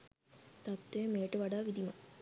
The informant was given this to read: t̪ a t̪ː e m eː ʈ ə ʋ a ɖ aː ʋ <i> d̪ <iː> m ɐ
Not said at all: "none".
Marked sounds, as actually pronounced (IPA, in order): i, i

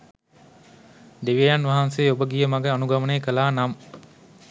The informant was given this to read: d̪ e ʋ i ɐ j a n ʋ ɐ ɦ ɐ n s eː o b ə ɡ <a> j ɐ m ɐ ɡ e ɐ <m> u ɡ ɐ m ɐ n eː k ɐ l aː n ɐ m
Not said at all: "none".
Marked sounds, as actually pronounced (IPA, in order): i, n

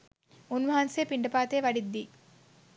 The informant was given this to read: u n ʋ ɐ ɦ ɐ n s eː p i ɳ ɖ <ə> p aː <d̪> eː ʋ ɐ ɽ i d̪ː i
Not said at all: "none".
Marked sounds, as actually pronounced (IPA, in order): ɐ, t̪

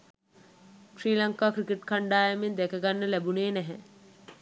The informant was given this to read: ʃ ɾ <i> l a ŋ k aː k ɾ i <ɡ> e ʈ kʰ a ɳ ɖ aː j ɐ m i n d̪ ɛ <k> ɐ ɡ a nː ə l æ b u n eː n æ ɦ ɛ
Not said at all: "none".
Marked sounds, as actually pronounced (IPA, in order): iː, k, k

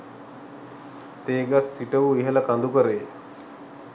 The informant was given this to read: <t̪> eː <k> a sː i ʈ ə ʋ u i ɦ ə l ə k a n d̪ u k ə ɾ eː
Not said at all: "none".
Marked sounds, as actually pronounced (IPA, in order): t̪, ɡ

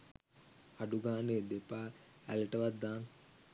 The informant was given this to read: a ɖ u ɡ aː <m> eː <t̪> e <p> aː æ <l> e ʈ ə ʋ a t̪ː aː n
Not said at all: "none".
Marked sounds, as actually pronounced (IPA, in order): n, d̪, p, l

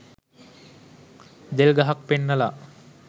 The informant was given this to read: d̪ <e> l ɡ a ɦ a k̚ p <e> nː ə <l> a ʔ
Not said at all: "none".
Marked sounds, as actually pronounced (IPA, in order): e, e, l

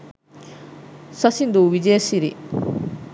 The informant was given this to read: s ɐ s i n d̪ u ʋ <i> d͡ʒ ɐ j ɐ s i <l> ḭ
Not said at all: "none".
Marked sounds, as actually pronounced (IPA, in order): i, ɾ

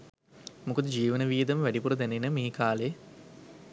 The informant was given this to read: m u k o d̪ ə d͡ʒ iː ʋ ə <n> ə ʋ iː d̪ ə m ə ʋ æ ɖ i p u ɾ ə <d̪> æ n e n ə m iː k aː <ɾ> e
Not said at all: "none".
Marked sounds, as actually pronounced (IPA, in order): n, d̪, l

